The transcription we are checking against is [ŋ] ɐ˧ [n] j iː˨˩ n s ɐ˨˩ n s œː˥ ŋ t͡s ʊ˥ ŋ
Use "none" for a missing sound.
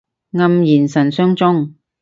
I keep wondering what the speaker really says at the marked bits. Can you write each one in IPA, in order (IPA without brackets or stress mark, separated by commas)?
ŋ, m